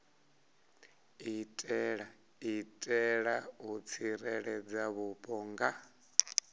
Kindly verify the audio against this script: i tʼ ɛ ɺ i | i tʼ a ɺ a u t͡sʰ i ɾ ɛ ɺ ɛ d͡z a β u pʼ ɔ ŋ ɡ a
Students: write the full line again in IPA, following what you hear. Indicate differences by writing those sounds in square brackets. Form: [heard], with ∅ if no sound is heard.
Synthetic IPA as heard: i tʼ ɛ ɺ [a] | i tʼ [ɛ] ɺ a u t͡sʰ i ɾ ɛ ɺ ɛ d͡z a β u pʼ ɔ ŋ ɡ a